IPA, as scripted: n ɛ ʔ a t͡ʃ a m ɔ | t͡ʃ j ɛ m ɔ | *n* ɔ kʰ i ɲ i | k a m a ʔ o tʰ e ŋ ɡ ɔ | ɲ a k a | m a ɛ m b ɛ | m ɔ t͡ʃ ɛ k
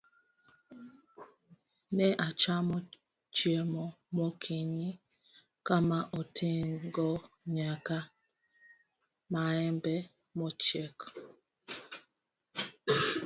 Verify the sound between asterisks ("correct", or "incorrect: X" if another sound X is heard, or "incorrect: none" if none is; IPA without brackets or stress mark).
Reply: incorrect: m